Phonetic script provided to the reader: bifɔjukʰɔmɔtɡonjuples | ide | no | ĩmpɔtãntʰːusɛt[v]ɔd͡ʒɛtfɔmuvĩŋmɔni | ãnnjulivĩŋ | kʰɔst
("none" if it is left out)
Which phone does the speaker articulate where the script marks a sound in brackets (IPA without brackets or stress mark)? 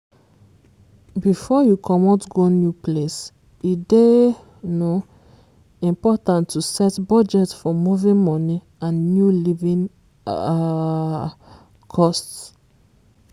b